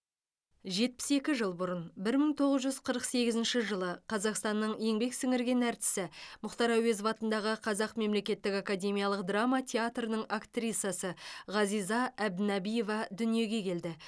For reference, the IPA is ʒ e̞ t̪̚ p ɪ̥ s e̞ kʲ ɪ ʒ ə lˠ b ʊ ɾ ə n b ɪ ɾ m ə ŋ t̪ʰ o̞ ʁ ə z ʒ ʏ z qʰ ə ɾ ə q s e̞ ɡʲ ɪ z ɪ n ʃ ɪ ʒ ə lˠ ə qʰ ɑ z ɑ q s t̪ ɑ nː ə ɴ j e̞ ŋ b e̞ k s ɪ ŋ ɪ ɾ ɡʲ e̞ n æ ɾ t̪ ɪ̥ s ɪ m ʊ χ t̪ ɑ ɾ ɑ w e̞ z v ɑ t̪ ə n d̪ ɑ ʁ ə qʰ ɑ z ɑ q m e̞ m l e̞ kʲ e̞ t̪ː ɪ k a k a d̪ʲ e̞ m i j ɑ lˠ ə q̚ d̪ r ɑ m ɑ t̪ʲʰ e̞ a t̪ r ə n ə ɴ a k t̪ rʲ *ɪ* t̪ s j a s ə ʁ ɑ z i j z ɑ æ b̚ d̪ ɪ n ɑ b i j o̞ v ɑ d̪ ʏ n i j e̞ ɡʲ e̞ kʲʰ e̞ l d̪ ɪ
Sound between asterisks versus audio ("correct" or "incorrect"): incorrect